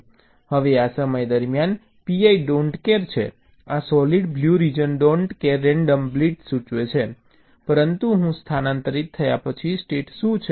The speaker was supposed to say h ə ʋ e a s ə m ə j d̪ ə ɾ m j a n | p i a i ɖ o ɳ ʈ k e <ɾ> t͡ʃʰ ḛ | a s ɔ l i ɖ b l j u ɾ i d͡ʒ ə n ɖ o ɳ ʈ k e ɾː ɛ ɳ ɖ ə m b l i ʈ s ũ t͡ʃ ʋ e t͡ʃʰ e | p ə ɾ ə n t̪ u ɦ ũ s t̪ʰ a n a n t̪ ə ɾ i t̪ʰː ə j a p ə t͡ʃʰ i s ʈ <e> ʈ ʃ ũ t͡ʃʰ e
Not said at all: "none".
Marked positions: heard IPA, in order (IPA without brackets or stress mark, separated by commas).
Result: ɾ, e